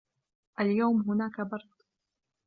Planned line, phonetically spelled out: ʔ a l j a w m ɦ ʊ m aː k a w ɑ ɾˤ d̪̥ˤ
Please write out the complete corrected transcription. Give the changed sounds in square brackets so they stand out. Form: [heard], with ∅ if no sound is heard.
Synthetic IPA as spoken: ʔ a l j a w m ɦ ʊ [n] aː k a [b] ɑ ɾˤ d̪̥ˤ